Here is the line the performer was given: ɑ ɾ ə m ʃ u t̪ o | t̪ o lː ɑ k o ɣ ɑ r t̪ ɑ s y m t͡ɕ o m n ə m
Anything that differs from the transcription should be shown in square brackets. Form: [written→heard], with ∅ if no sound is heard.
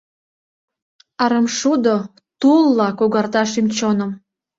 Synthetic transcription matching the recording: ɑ ɾ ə m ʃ u [t̪→d̪] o | t̪ [o→u] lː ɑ k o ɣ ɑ r t̪ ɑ [s→ʃ] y m t͡ɕ o [m→∅] n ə m